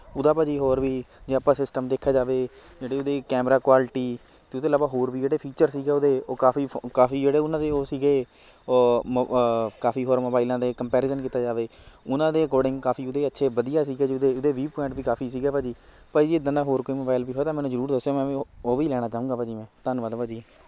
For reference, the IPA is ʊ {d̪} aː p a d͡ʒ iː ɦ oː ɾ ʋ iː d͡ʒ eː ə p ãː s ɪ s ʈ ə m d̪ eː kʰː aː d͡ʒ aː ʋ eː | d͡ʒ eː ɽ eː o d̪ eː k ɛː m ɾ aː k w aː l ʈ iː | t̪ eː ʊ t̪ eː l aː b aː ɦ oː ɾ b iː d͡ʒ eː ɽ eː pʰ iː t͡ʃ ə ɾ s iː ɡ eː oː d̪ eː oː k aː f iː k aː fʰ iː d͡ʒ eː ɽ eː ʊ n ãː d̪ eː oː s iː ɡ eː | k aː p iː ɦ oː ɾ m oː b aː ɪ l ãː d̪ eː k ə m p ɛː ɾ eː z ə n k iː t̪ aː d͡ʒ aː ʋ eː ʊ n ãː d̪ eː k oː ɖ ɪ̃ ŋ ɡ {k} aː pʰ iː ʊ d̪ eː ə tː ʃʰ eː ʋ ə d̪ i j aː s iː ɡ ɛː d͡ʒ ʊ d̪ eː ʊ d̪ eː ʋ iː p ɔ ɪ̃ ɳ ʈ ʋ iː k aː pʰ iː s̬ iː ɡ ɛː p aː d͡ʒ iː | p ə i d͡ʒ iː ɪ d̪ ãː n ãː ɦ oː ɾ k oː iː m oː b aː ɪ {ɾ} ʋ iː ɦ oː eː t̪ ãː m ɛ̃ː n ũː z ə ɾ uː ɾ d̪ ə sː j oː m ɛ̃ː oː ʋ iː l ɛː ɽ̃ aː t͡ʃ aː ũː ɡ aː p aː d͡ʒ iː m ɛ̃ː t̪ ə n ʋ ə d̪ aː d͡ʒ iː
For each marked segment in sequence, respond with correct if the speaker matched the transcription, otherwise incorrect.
correct, correct, incorrect: l

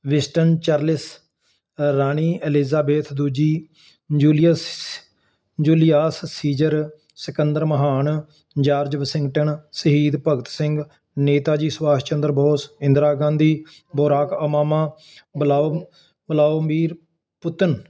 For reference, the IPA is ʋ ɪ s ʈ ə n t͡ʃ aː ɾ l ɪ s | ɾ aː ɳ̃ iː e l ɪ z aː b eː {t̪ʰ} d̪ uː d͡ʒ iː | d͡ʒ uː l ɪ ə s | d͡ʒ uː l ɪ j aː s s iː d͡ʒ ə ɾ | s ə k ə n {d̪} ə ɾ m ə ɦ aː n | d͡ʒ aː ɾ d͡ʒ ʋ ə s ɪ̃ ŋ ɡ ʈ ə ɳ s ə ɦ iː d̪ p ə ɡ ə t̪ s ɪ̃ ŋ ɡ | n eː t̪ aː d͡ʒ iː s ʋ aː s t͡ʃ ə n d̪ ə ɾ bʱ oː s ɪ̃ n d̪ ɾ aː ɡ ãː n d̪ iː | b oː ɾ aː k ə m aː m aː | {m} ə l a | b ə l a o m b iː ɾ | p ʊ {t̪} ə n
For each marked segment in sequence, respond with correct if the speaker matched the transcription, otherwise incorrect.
correct, correct, incorrect: b, correct

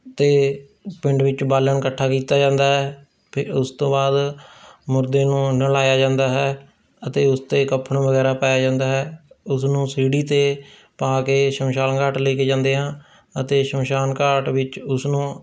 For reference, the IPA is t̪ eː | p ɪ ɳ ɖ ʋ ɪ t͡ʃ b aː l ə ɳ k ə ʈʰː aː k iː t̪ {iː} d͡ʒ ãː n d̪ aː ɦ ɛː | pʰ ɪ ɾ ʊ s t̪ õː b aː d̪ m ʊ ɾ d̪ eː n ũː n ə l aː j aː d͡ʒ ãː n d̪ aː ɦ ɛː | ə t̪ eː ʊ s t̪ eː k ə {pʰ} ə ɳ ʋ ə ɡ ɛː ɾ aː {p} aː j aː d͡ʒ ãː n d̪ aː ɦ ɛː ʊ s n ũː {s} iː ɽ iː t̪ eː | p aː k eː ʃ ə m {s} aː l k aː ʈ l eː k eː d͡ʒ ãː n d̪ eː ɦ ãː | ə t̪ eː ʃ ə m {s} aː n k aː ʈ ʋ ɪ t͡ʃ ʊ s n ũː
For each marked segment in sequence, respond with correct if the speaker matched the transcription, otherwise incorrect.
incorrect: aː, correct, correct, correct, incorrect: ʃ, incorrect: ʃ

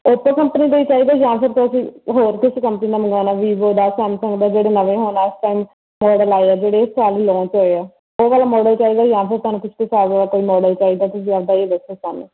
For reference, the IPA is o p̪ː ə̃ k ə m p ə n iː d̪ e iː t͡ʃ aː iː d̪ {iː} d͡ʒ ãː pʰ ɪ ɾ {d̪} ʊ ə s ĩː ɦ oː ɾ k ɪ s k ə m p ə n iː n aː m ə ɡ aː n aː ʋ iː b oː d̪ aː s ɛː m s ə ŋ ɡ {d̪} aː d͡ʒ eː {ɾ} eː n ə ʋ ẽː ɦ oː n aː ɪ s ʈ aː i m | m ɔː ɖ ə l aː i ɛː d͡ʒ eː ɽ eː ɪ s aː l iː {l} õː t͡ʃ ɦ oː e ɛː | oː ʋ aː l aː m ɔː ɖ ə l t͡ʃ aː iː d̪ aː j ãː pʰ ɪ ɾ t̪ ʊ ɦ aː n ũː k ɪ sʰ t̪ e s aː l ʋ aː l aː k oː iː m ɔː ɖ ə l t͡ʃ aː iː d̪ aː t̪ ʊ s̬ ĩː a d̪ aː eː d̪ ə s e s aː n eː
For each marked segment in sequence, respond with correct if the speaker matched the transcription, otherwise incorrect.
incorrect: aː, incorrect: t̪, correct, incorrect: ɽ, correct

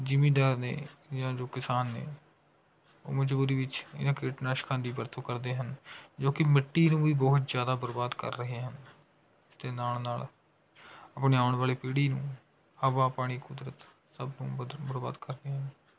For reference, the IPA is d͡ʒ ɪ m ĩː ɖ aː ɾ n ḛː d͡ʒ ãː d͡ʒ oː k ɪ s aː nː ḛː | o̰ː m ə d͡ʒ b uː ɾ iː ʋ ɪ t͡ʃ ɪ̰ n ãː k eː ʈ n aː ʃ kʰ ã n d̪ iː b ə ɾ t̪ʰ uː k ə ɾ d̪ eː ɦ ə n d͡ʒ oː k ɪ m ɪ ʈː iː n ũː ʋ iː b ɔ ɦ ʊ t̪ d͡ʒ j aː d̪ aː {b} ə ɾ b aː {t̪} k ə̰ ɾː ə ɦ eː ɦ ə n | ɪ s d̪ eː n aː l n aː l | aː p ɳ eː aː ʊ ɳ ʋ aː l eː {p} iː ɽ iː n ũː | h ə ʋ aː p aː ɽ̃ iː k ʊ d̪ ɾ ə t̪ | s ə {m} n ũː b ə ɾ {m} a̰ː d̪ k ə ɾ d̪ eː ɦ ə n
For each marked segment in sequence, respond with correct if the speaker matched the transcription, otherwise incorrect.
correct, incorrect: d̪, correct, incorrect: b, incorrect: b

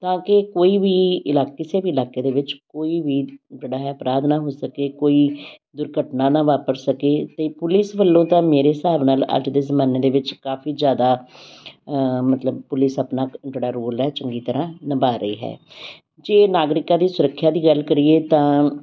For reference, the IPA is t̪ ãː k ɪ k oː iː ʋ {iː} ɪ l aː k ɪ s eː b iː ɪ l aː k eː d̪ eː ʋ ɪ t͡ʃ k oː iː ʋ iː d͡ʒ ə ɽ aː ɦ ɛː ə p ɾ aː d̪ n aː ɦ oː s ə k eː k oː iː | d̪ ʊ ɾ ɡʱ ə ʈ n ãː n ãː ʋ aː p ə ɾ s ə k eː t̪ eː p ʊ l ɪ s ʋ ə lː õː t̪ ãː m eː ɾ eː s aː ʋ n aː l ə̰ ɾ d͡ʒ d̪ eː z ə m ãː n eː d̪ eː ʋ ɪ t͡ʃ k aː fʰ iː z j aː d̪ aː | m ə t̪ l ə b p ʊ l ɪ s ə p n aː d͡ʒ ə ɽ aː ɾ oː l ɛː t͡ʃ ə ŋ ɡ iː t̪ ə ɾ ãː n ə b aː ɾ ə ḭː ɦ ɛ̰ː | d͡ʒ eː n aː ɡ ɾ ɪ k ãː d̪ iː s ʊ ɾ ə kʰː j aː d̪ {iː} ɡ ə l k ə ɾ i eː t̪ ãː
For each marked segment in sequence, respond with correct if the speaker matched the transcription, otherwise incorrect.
correct, correct

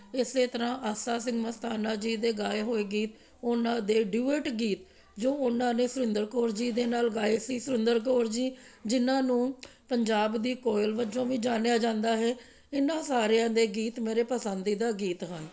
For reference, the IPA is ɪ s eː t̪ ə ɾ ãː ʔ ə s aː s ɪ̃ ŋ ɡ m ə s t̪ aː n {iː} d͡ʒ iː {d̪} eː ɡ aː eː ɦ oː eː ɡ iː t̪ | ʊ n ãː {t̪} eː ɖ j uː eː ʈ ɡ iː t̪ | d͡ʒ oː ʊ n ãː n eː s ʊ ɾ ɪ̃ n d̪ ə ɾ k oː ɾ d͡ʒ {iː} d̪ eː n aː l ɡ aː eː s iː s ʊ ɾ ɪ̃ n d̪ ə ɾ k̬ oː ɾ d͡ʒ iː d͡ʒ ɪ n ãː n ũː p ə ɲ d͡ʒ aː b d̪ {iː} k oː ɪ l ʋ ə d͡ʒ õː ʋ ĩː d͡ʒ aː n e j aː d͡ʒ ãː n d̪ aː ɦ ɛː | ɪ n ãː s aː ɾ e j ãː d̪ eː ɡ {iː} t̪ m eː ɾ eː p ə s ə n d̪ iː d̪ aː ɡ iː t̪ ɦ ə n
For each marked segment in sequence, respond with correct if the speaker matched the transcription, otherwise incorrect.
incorrect: aː, correct, incorrect: d̪, correct, correct, correct

